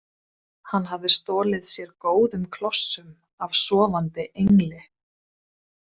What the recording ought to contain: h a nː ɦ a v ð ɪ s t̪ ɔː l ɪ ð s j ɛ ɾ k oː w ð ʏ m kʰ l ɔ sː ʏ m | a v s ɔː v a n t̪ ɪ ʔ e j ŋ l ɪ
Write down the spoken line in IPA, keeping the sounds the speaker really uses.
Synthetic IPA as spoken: h a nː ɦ a v ð ɪ s t̪ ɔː l ɪ ð s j ɛ ɾ k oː w ð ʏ m kʰ l ɔ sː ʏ m | a v s ɔː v a n t̪ ɪ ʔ e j ŋ l ɪ